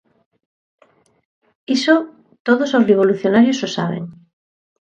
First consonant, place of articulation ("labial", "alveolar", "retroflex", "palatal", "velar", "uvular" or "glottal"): alveolar